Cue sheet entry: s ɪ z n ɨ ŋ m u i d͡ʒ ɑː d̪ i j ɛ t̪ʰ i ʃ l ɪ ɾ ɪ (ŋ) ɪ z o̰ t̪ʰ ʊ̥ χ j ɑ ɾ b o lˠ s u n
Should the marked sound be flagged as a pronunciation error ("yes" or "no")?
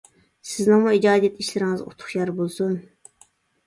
no